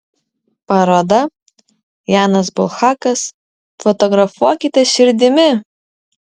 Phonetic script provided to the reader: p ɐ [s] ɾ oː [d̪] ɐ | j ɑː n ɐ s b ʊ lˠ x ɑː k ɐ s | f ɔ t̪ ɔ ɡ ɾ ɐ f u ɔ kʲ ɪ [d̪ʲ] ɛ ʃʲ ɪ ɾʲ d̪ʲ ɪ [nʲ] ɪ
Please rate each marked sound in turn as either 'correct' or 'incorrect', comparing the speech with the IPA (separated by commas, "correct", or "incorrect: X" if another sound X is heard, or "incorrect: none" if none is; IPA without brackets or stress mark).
incorrect: none, correct, incorrect: t̪ʲ, incorrect: mʲ